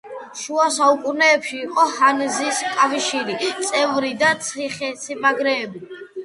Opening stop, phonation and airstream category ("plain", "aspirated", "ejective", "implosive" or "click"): ejective